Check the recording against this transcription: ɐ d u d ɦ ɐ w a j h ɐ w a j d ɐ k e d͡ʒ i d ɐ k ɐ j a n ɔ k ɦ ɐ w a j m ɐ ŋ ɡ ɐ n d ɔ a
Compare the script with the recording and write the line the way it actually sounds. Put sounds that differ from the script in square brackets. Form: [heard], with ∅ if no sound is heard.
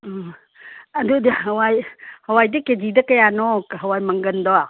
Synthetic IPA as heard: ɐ d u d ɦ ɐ w a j h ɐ w a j d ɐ k e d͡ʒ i d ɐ k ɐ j a n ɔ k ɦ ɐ w a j m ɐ ŋ ɡ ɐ n d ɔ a